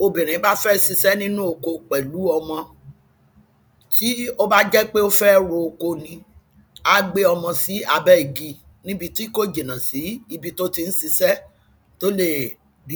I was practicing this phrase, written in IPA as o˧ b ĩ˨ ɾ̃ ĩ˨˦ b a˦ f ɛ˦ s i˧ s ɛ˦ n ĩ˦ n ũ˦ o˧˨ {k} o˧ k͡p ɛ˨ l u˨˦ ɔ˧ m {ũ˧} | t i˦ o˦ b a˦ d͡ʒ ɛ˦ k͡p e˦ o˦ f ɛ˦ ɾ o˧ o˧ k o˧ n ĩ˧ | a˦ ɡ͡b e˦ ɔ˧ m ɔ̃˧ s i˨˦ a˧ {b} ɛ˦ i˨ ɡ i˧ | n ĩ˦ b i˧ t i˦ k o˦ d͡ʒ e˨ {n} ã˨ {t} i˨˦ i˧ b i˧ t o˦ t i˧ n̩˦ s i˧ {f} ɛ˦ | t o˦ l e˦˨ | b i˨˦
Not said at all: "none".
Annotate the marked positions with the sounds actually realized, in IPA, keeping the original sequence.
k, ɔ̃˧, b, n, s, s

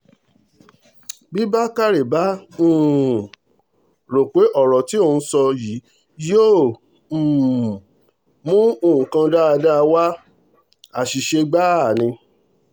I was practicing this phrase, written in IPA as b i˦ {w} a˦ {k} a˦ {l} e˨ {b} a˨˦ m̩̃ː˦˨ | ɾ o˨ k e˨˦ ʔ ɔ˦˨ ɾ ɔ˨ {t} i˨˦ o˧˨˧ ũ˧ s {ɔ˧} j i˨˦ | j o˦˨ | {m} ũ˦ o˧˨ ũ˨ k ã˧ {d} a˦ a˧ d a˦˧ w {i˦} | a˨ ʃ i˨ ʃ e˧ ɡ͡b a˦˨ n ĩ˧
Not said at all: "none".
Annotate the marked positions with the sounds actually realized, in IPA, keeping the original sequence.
b, k, ɾ, b, t, ɔ˧, m, d, a˦

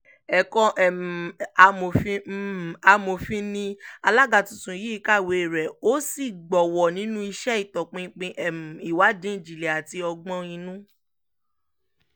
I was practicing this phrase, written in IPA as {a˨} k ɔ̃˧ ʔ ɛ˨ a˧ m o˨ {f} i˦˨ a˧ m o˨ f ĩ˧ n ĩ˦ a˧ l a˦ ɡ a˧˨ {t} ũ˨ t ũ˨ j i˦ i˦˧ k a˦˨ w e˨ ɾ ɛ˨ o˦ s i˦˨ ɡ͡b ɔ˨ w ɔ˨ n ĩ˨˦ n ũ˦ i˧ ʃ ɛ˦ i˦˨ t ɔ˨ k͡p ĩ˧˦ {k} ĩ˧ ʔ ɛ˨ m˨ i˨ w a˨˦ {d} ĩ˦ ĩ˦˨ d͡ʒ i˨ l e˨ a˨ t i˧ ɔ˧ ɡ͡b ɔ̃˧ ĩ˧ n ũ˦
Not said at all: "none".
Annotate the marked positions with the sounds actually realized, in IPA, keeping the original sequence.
ɛ˨, f, t, k͡p, d

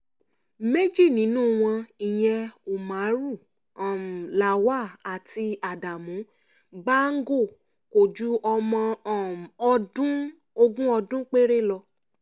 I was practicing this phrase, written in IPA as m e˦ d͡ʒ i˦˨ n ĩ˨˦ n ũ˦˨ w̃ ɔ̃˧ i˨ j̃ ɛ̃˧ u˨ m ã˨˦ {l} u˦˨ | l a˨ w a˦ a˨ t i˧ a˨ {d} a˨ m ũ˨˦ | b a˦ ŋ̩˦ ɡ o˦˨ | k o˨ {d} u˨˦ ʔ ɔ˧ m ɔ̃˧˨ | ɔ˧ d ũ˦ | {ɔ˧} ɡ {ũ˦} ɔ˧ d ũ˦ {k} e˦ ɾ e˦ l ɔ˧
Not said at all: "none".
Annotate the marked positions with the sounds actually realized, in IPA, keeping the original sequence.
ɾ, d, d͡ʒ, o˧, ũ˦, k͡p

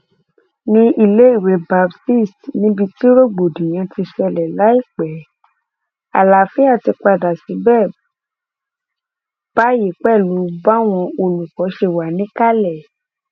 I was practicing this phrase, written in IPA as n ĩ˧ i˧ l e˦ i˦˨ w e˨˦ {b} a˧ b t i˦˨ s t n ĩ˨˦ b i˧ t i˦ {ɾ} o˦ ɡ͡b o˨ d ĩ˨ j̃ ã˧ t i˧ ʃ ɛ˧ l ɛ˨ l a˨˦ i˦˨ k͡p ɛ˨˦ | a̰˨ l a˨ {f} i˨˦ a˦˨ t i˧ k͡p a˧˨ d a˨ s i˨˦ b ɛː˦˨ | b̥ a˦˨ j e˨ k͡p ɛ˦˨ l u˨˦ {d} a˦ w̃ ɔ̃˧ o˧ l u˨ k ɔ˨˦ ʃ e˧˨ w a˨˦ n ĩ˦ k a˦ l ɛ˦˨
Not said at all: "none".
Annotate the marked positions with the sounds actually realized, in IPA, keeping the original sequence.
b, ɾ, f, b

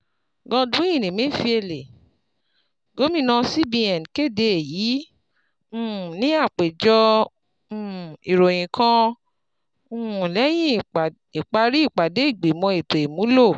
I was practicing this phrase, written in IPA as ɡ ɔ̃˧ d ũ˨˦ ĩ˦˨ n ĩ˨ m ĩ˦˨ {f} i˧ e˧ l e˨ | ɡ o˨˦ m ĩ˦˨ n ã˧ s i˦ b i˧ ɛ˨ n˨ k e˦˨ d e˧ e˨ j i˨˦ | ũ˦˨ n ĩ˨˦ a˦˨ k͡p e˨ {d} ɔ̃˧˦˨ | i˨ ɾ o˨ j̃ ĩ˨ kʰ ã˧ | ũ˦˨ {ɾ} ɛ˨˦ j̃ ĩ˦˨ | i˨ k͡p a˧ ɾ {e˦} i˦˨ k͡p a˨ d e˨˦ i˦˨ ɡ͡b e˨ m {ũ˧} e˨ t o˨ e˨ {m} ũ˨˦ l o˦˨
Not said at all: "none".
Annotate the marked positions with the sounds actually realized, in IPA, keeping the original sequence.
f, d͡ʒ, l, i˦, ɔ̃˧, m

